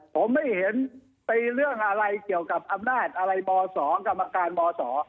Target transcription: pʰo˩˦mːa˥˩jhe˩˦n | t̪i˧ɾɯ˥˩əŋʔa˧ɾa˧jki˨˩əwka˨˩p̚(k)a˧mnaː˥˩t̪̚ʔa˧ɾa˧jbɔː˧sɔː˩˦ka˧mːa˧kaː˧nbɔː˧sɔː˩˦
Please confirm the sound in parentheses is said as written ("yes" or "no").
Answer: no